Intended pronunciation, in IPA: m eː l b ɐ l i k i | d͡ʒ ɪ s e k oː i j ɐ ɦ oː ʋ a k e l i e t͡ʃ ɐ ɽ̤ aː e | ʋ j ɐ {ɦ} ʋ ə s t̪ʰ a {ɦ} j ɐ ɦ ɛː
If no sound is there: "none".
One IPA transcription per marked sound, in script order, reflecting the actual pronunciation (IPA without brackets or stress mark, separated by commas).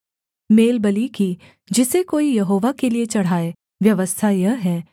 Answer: none, none